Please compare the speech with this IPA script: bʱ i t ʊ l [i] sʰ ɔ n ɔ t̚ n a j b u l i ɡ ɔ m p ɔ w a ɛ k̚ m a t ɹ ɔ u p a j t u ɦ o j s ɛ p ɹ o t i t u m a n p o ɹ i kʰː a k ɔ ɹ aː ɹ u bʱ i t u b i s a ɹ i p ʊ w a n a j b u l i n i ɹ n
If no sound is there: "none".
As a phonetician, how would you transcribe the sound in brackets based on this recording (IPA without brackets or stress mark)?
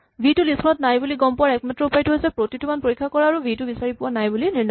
i